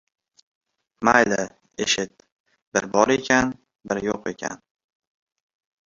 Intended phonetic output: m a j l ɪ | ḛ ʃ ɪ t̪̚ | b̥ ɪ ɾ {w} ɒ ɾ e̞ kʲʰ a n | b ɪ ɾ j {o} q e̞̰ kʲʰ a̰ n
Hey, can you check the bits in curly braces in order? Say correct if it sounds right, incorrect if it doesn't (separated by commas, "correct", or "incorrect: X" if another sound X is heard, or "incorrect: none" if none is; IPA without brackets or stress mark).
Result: incorrect: b, correct